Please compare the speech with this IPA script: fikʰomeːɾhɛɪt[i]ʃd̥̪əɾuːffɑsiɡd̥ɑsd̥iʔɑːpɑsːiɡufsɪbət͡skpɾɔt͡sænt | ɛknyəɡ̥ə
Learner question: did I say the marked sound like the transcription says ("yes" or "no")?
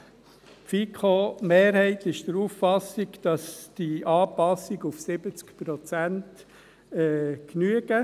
no